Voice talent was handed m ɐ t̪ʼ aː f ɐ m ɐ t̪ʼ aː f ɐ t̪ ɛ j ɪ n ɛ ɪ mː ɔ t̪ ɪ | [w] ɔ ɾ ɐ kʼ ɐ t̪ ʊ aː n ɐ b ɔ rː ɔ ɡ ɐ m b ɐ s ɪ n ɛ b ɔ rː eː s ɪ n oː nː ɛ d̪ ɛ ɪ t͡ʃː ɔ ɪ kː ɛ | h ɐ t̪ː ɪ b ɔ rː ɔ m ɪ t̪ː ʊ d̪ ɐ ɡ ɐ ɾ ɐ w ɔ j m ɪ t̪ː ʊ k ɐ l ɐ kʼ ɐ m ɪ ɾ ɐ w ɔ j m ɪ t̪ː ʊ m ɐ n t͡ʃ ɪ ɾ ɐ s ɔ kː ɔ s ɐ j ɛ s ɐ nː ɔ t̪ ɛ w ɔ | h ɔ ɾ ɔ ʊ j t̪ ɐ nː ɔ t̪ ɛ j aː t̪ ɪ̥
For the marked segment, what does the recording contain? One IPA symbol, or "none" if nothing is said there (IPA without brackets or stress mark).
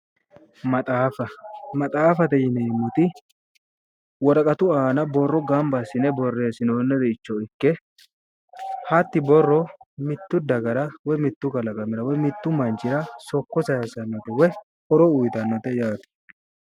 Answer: w